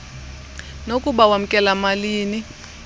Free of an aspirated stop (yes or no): yes